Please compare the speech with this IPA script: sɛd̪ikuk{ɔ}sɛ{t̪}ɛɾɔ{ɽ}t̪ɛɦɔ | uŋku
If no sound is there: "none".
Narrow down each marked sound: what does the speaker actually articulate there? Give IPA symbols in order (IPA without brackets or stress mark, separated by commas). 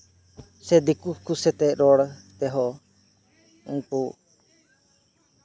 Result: u, t̪, ɽ